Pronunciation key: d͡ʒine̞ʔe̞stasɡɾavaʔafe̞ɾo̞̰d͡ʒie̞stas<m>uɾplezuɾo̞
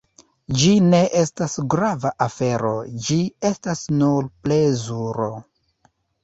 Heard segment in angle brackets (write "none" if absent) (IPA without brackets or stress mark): n